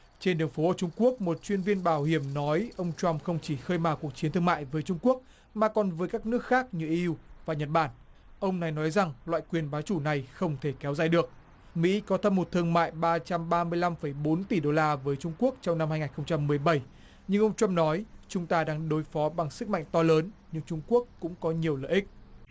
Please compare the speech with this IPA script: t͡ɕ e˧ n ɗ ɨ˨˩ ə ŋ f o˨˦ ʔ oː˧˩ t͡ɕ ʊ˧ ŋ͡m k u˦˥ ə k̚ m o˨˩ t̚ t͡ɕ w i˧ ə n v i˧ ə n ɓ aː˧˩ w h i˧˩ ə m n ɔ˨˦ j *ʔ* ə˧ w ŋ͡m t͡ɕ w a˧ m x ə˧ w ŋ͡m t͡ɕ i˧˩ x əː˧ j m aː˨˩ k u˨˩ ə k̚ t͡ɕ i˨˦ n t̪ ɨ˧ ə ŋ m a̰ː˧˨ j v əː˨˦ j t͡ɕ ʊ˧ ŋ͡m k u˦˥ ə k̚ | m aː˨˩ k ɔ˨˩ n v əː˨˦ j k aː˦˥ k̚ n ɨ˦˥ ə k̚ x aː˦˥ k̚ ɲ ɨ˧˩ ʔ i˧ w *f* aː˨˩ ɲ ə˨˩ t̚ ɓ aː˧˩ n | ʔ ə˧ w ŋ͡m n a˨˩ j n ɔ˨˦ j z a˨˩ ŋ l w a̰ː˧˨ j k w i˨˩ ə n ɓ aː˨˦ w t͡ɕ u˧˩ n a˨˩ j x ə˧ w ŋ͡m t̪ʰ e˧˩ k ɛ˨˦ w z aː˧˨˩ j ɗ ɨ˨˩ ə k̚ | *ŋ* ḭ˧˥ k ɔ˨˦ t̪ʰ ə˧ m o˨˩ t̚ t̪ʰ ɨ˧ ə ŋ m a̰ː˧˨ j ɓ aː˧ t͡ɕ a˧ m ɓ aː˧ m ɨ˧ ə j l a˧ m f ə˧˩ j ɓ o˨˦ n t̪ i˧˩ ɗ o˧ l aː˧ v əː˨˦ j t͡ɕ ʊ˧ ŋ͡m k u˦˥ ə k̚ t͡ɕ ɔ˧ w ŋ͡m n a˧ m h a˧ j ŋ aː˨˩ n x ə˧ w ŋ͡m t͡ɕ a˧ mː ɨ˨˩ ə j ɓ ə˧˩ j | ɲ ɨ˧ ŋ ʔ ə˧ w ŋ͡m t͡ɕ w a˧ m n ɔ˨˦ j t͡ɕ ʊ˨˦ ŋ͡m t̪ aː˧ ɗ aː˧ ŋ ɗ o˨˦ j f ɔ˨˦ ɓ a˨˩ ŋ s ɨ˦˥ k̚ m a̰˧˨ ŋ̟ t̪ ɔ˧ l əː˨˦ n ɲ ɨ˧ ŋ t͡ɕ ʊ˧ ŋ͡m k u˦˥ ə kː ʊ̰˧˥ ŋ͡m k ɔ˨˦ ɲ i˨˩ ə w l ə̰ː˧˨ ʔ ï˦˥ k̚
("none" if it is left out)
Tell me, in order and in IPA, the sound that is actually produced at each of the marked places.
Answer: ʔ, v, m

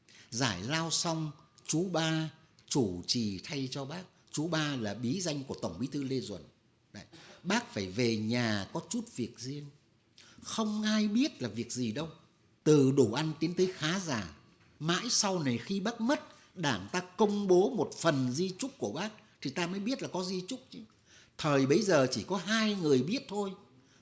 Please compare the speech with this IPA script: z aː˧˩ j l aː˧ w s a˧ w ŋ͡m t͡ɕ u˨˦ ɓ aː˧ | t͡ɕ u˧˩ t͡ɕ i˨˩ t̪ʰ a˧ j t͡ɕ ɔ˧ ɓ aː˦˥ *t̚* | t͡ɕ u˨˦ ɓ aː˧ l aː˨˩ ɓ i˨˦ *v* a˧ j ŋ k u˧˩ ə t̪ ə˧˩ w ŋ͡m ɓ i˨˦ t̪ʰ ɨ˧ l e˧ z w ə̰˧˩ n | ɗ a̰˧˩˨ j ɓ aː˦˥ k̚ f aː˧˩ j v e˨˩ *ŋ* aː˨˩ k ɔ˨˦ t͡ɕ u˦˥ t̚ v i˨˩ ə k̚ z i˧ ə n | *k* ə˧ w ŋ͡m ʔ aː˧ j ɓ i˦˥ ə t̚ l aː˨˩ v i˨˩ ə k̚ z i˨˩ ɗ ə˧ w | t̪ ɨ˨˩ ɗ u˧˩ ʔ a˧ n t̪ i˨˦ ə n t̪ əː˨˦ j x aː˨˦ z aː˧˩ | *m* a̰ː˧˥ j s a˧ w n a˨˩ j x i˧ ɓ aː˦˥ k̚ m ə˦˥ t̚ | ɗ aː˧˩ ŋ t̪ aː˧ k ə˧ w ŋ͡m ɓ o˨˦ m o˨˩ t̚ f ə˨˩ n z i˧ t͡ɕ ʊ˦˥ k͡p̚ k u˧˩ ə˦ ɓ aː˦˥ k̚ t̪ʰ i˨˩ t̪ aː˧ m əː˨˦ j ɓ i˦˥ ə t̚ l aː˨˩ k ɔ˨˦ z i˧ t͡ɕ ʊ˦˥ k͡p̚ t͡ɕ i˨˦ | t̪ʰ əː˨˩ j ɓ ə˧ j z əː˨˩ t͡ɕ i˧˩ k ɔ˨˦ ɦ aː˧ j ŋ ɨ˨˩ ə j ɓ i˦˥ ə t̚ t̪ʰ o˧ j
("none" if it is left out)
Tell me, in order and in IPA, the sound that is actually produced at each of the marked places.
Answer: k̚, z, ɲ, x, m

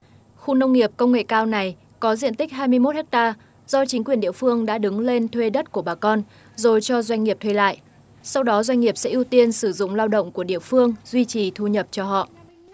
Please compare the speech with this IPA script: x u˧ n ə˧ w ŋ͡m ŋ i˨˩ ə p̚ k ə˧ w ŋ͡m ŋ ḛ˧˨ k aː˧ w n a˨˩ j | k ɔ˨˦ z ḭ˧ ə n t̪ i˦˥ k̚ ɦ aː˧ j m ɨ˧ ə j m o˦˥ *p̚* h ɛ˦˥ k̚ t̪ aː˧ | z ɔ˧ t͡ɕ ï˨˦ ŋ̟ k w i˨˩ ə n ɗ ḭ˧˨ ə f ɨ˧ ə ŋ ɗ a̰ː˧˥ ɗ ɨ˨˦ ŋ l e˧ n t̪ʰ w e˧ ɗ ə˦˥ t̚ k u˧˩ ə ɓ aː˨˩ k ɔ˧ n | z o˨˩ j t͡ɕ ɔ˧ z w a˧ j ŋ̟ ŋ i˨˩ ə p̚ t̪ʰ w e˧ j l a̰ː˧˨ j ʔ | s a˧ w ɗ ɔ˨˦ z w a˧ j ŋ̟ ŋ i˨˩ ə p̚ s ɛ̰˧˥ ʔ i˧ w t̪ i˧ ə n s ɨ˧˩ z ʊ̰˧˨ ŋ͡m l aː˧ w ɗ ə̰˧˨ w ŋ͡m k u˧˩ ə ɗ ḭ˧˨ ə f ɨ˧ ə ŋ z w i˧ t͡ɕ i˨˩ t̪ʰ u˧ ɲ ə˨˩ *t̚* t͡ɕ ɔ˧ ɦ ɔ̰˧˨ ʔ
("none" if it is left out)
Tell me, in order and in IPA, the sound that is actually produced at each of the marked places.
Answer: t̚, p̚

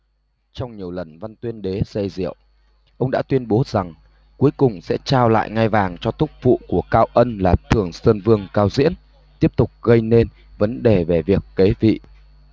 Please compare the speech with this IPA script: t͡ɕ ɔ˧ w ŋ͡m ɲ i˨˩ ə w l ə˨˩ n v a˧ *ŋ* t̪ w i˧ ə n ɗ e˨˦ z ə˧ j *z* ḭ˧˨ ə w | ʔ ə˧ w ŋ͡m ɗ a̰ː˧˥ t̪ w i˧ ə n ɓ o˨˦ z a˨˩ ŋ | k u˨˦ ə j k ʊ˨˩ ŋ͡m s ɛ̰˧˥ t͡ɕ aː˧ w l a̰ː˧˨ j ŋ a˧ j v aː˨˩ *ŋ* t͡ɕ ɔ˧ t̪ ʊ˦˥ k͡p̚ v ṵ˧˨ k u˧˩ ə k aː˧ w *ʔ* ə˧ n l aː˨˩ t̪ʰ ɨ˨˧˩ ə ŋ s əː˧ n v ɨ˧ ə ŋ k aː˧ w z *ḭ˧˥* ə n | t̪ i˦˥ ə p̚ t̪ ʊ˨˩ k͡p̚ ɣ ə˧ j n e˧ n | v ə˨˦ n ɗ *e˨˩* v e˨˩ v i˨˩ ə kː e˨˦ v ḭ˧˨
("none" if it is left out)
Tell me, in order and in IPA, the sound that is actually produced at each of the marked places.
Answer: n, z, ŋ, ʔ, ḭ˧˥, e˨˩

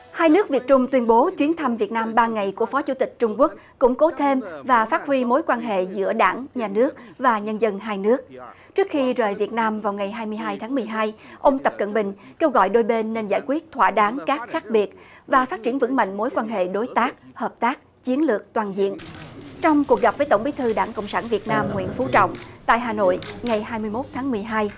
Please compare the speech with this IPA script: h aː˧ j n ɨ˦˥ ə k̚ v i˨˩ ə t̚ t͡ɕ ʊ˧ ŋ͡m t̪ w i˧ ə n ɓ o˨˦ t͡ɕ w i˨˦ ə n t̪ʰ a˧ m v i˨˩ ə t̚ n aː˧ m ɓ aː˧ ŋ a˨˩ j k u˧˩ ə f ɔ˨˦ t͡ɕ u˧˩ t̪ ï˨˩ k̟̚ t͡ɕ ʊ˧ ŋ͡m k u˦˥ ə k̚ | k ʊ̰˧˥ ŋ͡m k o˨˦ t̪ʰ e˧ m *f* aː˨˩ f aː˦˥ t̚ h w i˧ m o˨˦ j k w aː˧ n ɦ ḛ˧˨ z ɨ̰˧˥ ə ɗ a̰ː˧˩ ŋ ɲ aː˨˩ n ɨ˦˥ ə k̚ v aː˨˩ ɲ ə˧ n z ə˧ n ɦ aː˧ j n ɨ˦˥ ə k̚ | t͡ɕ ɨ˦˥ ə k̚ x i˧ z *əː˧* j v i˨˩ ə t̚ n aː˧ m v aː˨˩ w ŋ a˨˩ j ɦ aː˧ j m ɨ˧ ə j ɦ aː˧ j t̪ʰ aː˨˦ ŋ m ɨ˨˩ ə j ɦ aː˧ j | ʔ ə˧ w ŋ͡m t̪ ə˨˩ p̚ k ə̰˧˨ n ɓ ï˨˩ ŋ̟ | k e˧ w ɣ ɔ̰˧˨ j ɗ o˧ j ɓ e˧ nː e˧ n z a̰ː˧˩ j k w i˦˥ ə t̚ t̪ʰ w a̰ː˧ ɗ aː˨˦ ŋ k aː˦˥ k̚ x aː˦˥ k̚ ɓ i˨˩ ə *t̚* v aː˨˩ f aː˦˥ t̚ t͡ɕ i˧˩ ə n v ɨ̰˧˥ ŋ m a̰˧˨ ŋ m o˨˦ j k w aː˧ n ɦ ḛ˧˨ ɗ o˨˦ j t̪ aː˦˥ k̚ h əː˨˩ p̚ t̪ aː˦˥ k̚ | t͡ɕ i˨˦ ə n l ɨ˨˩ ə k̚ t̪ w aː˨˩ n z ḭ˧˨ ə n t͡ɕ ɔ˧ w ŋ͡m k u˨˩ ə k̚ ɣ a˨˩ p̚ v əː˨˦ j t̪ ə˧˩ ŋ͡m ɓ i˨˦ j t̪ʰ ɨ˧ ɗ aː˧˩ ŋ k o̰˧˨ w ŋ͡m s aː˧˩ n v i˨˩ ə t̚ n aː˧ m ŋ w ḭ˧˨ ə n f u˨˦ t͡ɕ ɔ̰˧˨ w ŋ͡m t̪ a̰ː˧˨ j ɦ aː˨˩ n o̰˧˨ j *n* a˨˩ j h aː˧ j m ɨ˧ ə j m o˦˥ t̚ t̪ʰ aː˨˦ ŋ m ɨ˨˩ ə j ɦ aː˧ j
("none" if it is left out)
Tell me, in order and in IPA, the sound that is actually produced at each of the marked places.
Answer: v, əː˨˩, t̚, ŋ

